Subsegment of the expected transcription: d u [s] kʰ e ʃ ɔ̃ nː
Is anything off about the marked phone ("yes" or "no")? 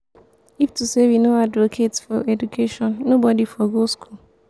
yes